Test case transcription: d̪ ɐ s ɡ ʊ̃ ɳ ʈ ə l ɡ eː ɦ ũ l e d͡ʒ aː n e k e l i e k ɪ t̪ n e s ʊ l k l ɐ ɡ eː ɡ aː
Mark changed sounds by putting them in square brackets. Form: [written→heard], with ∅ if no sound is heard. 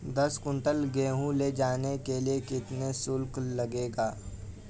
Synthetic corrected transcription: d̪ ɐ s [ɡ→k] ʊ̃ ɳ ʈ ə l ɡ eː ɦ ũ l e d͡ʒ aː n e k e l i e k ɪ t̪ n e s ʊ l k l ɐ ɡ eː ɡ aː